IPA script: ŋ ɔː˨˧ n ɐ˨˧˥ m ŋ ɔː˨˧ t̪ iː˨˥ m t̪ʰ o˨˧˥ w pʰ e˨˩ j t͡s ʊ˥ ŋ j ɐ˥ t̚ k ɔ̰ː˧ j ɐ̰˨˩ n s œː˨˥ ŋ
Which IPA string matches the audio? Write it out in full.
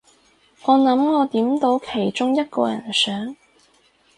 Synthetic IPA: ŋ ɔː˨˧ n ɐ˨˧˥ m ŋ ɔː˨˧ t̪ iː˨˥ m t̪ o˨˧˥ w kʰ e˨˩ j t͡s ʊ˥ ŋ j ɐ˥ t̚ k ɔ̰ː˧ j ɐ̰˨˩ n s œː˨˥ ŋ